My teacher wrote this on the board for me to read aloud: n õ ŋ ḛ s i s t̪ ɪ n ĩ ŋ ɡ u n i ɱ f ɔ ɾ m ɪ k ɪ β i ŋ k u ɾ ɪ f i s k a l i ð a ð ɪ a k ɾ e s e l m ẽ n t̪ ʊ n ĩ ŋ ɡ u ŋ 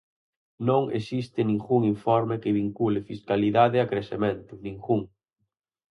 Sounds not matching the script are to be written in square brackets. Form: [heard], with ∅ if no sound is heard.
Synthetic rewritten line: n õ ŋ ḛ s i s t̪ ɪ n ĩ ŋ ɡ u [ŋ] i ɱ f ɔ ɾ m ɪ k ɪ β i ŋ k u [l] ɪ f i s k a l i ð a ð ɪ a k ɾ e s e [∅] m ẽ n t̪ ʊ n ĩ ŋ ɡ u ŋ